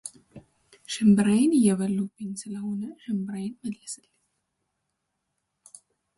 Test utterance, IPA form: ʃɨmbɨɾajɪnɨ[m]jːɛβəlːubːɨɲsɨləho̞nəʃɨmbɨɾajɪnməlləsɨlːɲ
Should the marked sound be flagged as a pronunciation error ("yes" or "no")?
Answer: yes